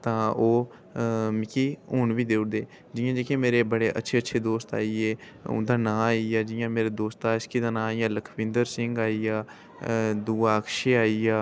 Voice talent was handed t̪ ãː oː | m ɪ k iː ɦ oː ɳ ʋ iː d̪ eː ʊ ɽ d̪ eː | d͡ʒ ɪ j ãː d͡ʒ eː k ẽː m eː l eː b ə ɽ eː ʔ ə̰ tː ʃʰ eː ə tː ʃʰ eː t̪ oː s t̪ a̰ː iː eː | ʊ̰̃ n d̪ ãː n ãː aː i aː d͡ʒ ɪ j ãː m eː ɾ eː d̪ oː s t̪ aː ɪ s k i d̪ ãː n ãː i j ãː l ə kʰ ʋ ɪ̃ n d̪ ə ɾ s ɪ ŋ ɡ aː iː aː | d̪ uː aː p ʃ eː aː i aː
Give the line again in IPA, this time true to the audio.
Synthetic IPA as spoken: t̪ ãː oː | m ɪ k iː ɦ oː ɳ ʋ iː d̪ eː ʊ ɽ d̪ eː | d͡ʒ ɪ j ãː d͡ʒ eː k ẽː m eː ɾ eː b ə ɽ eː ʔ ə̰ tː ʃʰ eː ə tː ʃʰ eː d̪ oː s t̪ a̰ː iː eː | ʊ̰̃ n d̪ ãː n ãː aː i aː d͡ʒ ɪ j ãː m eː ɾ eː d̪ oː s t̪ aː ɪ s k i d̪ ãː n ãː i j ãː l ə kʰ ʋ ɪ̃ n d̪ ə ɾ s ɪ ŋ ɡ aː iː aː | d̪ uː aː k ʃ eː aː i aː